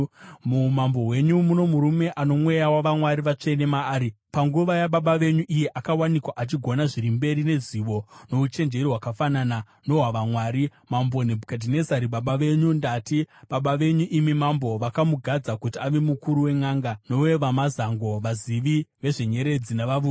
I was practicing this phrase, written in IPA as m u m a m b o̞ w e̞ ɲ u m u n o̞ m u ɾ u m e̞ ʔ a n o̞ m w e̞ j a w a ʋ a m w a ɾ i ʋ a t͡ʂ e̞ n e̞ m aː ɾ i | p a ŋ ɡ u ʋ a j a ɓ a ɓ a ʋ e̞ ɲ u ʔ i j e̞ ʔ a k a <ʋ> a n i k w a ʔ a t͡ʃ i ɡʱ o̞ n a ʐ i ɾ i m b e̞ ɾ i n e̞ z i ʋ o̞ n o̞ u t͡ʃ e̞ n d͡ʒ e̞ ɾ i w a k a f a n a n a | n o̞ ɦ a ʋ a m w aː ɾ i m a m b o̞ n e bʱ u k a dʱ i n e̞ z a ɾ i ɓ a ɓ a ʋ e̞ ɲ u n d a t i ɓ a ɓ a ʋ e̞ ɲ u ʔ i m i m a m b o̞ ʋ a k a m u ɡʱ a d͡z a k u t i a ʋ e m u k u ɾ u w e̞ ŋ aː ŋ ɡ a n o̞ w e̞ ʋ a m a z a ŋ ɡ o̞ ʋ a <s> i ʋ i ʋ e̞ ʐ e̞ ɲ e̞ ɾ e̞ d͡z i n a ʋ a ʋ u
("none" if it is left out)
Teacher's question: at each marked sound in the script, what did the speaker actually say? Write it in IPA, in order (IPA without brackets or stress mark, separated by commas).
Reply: w, z